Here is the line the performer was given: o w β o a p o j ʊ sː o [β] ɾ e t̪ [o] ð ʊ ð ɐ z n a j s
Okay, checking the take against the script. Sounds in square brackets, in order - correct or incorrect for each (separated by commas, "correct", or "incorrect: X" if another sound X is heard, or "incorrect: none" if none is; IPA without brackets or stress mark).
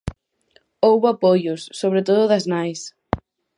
correct, correct